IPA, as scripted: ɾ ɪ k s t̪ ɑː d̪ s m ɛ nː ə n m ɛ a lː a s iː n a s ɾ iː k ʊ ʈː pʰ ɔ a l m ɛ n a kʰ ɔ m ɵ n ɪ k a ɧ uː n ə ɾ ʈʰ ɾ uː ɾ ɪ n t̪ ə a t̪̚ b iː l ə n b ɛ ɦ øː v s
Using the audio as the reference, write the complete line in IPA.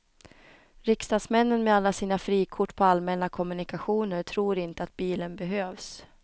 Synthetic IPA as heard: ɾ ɪ k s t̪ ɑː d̪ s m ɛ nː ə n m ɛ a lː a s iː n a f ɾ iː kʰ ʊ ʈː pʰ ɔ a l m ɛ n a kʰ ɔ m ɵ n ɪ k a ɧ uː n ə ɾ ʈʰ ɾ uː ɾ ɪ n t̪ ə a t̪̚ b iː l ə n b ɛ ɦ øː v s